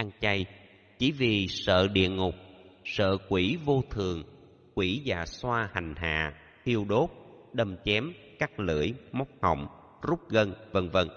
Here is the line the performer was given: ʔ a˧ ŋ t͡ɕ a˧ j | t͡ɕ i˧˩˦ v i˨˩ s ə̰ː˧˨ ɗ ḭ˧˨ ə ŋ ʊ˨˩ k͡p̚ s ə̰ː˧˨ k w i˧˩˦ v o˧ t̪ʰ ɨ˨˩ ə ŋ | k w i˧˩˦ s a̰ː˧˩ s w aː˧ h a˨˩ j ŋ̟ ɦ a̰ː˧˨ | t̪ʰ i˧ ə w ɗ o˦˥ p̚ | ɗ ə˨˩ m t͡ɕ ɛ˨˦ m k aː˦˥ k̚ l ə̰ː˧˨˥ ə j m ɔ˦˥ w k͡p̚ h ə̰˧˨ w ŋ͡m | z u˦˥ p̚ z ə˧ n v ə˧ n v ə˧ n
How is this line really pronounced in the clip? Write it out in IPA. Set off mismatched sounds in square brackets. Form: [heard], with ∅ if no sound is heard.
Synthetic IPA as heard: ʔ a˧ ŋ t͡ɕ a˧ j | t͡ɕ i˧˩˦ v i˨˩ s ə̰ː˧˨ ɗ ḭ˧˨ ə ŋ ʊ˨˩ k͡p̚ s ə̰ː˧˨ k w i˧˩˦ v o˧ t̪ʰ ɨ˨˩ ə ŋ | k w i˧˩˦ [z] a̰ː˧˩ s w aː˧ h a˨˩ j ŋ̟ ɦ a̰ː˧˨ | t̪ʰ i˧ ə w ɗ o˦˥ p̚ | ɗ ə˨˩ m t͡ɕ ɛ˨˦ m k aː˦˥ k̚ l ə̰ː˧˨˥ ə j m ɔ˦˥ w k͡p̚ h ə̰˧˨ w ŋ͡m | z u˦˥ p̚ [ɣ] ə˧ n v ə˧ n v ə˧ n